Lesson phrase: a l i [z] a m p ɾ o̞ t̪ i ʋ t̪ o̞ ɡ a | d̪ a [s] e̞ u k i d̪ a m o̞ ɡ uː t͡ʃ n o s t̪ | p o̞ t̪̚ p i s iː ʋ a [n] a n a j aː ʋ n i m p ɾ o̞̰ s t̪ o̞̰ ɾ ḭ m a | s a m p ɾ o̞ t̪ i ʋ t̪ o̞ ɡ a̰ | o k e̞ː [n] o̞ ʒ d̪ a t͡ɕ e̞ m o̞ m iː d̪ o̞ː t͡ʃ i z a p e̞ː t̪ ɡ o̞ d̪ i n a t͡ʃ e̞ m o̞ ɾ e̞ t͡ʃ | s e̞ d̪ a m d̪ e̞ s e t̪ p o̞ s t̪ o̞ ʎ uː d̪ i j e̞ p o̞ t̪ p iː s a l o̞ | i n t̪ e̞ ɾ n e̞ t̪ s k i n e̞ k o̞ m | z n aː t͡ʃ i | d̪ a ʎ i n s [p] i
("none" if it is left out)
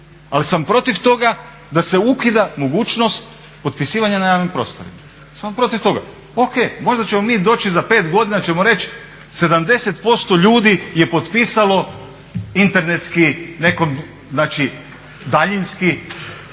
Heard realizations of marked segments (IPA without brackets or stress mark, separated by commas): s, s, ɲ, m, k